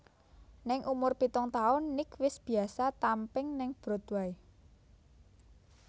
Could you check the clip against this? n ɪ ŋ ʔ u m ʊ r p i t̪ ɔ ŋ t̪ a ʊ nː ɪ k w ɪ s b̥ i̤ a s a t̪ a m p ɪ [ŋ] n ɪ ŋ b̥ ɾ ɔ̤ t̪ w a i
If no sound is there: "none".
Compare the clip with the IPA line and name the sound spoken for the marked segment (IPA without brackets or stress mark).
ŋ